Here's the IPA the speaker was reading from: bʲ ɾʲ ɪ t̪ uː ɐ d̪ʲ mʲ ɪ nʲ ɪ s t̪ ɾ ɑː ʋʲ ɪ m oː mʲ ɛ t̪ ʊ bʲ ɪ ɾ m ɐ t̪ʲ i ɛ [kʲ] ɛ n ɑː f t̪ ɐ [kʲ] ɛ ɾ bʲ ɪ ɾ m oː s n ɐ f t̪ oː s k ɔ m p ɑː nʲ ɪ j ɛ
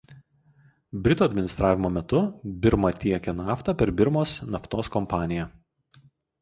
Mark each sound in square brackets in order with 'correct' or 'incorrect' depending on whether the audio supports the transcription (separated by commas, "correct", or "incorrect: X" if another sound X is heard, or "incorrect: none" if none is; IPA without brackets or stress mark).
correct, incorrect: pʲ